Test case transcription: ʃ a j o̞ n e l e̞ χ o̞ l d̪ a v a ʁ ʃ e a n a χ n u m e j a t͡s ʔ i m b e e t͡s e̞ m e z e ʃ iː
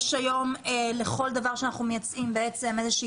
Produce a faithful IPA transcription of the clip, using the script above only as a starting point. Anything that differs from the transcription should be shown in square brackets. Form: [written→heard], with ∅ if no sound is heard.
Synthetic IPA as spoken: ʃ a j o̞ [n→m] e l e̞ χ o̞ l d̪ a v a ʁ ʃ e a n a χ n u m e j a t͡s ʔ i m b e e t͡s e̞ m e z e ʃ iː

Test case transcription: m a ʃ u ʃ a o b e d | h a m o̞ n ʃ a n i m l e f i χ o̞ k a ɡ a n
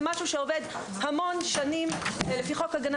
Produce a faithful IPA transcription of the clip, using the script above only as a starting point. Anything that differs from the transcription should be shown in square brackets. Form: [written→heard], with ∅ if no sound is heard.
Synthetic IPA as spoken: m a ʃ u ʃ [a→e] o [b→v] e d | h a m o̞ n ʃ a n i m l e f i χ o̞ k a ɡ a n

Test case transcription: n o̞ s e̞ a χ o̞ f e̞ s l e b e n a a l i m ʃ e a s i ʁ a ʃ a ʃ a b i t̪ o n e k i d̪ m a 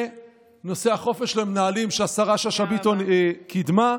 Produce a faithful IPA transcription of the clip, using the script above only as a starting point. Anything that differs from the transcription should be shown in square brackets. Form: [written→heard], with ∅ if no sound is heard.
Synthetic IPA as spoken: n o̞ s e̞ a χ o̞ f e̞ [s→ʃ] l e [b→m] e n a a l i m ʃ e a s [i→a] ʁ a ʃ a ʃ a b i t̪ o n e k i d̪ m a

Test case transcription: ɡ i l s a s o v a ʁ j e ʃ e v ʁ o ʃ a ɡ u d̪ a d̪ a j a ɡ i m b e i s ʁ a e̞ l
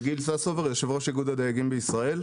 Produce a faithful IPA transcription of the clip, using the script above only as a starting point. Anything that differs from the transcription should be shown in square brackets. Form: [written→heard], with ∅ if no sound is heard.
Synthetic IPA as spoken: ɡ i l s a s o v [a→e] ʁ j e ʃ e v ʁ o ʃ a ɡ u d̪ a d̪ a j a ɡ i m b e i s ʁ a e̞ l

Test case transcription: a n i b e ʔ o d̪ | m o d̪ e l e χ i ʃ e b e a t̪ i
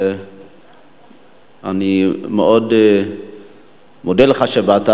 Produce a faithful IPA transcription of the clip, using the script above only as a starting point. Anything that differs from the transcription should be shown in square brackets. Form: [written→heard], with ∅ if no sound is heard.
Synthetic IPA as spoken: a n i [b→m] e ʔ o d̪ | m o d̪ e l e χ [i→a] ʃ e b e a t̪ [i→a]

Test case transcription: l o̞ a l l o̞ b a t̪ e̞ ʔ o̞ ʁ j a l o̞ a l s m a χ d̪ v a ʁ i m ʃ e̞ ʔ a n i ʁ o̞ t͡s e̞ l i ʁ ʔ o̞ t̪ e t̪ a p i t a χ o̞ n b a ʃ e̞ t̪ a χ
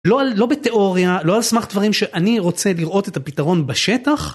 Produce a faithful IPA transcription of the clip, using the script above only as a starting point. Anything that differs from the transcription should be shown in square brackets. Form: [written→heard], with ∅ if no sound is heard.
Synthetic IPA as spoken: l o̞ a l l o̞ b [a→e] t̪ e̞ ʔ o̞ ʁ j a l o̞ a l s m a χ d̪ v a ʁ i m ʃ e̞ ʔ a n i ʁ o̞ t͡s e̞ l i ʁ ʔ o̞ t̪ e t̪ a p i t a [χ→ʁ] o̞ n b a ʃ e̞ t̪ a χ

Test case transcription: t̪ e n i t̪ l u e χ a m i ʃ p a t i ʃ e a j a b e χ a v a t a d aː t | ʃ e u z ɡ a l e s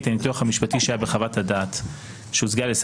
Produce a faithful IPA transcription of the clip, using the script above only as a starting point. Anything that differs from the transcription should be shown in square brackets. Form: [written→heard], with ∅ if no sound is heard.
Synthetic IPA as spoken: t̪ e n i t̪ l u [e→a] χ a m i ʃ p a t i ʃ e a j a b e χ a v a t a d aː t | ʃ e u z ɡ a l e s

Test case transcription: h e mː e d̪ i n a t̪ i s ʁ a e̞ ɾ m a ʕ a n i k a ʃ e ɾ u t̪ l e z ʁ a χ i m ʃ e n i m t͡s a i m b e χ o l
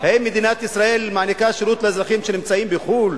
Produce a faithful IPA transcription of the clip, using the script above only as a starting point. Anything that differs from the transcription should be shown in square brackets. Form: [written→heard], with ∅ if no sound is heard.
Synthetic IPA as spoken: h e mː e d̪ i n a t̪ i s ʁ a e̞ [ɾ→l] m a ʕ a n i k a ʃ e ɾ u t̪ l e z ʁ a χ i m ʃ e n i m t͡s a i m b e χ [o→u] l

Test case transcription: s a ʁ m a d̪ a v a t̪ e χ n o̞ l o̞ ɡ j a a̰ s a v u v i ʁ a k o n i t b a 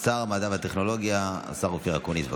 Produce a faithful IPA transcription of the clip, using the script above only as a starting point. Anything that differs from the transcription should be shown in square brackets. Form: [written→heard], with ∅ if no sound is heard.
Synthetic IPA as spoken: s a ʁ m a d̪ a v a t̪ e χ n o̞ l o̞ ɡ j a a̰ s a [v→ʁ] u [v→f] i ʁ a k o n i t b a

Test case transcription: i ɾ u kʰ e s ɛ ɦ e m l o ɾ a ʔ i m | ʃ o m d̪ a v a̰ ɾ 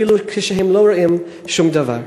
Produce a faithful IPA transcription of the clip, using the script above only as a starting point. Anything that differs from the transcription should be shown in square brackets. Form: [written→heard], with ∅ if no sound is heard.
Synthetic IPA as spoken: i [ɾ→l] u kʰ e [s→ʃ] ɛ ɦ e m l o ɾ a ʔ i m | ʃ [o→u] m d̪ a v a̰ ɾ

